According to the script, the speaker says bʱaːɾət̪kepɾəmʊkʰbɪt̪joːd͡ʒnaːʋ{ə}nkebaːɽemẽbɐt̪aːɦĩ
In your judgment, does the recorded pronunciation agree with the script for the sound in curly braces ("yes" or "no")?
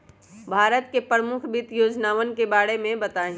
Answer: yes